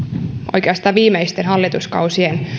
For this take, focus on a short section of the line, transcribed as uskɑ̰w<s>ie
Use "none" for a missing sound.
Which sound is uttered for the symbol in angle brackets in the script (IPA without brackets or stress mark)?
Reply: s